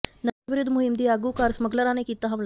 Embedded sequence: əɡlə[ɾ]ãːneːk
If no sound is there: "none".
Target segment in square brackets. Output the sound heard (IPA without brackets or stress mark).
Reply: ɾ